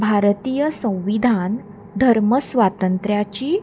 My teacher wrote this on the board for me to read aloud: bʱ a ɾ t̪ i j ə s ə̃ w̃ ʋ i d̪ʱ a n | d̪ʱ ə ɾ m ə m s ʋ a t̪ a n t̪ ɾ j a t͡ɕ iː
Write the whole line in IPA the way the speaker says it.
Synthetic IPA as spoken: bʱ a ɾ t̪ i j ə s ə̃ w̃ ʋ i d̪ʱ a n | d̪ʱ ə ɾ m ə s ʋ a t̪ ə n t̪ ɾ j a t͡ɕ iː